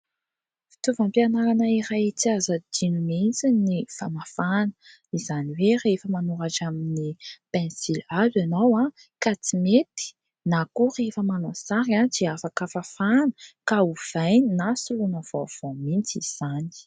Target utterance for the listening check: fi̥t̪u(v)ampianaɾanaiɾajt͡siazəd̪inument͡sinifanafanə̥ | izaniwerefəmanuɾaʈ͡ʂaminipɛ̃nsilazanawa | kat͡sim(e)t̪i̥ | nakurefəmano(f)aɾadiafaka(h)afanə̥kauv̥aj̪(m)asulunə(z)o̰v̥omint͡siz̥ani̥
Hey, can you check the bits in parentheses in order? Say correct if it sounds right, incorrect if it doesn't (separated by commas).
correct, correct, incorrect, incorrect, incorrect, incorrect